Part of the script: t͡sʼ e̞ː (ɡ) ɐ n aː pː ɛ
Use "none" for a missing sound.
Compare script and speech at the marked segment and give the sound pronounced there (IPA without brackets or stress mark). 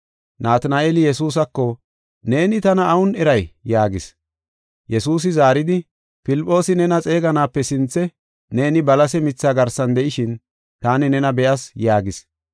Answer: ɡ